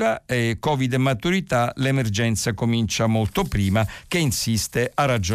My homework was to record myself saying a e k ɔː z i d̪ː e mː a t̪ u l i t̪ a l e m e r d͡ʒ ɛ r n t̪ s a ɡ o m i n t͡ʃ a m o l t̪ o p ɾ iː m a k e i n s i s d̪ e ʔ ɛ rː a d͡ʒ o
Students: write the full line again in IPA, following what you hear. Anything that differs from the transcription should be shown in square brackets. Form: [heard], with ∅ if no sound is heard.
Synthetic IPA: a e k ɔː [v] i [d̪] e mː a t̪ u [ɾ] i t̪ a l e m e r d͡ʒ ɛ [∅] n t̪ s a [k] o m i n t͡ʃ a m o l t̪ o p ɾ iː m a k e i n s i s [t̪] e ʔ [a] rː a d͡ʒ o